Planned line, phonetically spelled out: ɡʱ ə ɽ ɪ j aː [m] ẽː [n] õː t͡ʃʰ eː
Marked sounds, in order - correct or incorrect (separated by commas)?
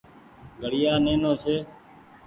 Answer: incorrect, correct